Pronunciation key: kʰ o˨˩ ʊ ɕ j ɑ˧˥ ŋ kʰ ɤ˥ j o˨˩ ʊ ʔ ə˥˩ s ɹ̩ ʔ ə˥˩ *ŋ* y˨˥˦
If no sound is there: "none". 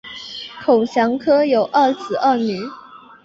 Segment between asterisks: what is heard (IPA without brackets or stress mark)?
n